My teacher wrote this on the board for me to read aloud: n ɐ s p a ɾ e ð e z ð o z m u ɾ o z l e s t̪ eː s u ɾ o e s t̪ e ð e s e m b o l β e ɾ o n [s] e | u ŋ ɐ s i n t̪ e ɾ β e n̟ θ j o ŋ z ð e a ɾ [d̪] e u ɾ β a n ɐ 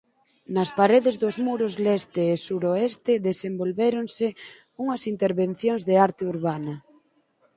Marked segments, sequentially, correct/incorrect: correct, incorrect

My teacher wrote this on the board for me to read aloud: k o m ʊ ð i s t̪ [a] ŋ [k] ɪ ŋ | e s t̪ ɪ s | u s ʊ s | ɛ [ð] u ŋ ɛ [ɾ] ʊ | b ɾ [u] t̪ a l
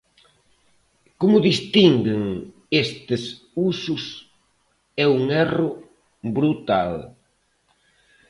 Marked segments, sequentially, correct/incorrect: incorrect, incorrect, incorrect, incorrect, correct

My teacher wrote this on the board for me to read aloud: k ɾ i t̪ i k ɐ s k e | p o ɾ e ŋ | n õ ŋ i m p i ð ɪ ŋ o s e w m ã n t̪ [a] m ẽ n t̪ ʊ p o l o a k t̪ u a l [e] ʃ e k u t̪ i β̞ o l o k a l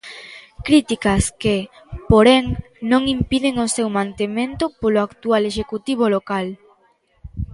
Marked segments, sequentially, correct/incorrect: incorrect, correct

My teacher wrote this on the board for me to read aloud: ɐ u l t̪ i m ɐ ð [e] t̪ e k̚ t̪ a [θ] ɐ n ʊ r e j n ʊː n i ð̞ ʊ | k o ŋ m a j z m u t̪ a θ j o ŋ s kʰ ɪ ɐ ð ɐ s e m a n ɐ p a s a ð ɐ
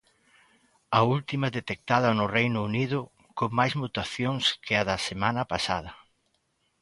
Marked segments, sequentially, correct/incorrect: correct, incorrect

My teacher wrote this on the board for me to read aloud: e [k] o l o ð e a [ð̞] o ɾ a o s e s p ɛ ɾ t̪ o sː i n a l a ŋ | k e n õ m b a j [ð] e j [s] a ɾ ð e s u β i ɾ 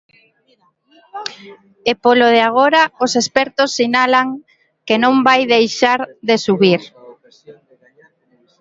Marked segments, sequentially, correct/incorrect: incorrect, incorrect, correct, incorrect

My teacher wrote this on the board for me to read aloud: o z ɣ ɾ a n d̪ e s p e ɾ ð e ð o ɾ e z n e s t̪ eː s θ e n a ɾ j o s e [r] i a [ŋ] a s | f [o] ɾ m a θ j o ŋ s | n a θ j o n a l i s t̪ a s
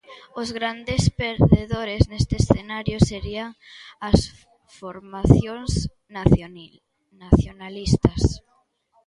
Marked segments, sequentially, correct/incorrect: incorrect, correct, correct

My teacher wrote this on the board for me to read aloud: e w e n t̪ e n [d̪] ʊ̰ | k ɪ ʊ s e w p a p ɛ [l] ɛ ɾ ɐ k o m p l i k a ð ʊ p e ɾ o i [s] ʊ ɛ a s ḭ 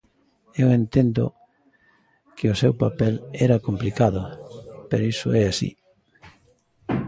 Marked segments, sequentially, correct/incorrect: correct, correct, correct

